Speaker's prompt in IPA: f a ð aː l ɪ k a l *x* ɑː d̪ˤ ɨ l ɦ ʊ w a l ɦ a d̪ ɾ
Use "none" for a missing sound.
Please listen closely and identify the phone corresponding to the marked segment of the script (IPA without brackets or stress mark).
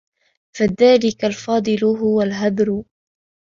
f